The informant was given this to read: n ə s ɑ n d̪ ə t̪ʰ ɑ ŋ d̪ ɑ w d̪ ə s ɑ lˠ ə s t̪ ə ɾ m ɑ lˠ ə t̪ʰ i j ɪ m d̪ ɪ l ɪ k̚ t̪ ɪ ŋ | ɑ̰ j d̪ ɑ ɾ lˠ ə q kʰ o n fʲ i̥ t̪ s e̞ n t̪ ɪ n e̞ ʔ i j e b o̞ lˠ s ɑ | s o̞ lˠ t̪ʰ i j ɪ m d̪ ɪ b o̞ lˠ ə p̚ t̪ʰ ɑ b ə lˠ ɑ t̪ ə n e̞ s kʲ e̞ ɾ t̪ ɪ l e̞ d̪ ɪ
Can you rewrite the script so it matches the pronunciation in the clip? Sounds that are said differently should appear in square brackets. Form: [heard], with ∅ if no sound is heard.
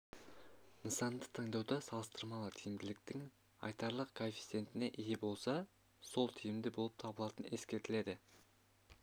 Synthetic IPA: n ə s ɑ n d̪ ə t̪ʰ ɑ ŋ d̪ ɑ w d̪ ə s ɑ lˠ ə s t̪ ə ɾ m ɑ lˠ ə t̪ʰ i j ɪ m d̪ ɪ l ɪ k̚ t̪ ɪ ŋ | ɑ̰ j [t̪] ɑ ɾ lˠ ə q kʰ o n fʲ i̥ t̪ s e̞ n t̪ ɪ n e̞ ʔ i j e b o̞ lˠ s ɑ | s o̞ lˠ t̪ʰ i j ɪ m d̪ ɪ b o̞ lˠ ə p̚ t̪ʰ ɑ b ə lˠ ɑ t̪ ə n e̞ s kʲ e̞ ɾ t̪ ɪ l e̞ d̪ ɪ

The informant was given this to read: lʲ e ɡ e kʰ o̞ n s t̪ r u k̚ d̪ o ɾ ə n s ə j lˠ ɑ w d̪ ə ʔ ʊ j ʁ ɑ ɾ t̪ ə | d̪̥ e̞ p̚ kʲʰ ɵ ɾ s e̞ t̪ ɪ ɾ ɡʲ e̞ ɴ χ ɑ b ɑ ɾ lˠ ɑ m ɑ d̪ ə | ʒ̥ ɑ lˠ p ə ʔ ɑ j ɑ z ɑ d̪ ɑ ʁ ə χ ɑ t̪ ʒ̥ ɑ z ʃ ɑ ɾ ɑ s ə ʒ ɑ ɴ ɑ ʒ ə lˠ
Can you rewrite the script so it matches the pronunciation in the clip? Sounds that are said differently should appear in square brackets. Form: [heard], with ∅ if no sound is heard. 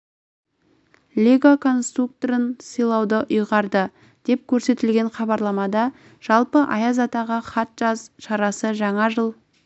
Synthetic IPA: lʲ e ɡ [a] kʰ o̞ n s t̪ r u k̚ [t̪] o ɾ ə n s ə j lˠ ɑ w d̪ ə ʔ ʊ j ʁ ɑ ɾ [d̪] ə | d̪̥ e̞ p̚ kʲʰ ɵ ɾ s e̞ t̪ ɪ [l] ɡʲ e̞ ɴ χ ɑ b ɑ ɾ lˠ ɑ m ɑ d̪ [ɑ] | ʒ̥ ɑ lˠ p ə ʔ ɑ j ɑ z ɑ [t̪] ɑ ʁ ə χ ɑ t̪ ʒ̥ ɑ z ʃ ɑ ɾ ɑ s ə ʒ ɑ ɴ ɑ ʒ ə lˠ

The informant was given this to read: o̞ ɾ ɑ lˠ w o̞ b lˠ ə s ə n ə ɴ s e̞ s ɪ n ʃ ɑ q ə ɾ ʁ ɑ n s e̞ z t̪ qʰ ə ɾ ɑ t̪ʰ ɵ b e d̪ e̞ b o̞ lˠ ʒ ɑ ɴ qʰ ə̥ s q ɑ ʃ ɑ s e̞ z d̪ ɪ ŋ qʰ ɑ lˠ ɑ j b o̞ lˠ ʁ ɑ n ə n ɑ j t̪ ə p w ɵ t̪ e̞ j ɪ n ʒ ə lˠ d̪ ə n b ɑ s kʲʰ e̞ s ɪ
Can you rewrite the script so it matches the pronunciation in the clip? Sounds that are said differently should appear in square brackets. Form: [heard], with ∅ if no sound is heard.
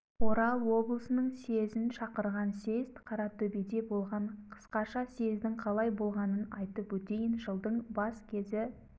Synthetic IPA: o̞ ɾ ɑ lˠ w o̞ b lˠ ə s ə n ə ɴ s e̞ [z] ɪ n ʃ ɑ q ə ɾ ʁ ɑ n s e̞ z t̪ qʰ [ɑ] ɾ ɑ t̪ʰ ɵ b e d̪ e̞ b o̞ lˠ [ʁ] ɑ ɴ qʰ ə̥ s q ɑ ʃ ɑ s e̞ z d̪ ɪ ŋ qʰ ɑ lˠ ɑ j b o̞ lˠ ʁ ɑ n ə n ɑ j t̪ ə p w ɵ t̪ e̞ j ɪ n ʒ ə lˠ d̪ ə [ɴ] b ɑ s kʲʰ e̞ [z] ɪ

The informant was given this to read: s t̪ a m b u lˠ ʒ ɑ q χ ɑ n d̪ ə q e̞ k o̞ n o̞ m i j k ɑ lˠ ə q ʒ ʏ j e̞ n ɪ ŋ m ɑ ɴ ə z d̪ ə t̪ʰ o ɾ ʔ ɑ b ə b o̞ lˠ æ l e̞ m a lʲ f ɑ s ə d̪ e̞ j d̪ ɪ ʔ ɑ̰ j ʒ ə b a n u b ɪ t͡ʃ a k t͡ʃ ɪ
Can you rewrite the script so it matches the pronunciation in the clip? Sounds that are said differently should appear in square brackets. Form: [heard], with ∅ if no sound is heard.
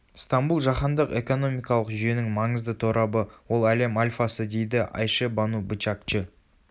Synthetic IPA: s t̪ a m b u lˠ ʒ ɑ [∅] χ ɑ n d̪ ə q e̞ k o̞ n o̞ m i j k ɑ lˠ ə q ʒ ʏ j e̞ n ɪ ŋ m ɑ ɴ ə z d̪ ə t̪ʰ o ɾ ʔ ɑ b ə [w] o̞ lˠ æ l e̞ m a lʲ f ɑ s ə d̪ e̞ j d̪ ɪ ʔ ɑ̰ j [ʃ] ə b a n u b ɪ t͡ʃ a k t͡ʃ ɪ

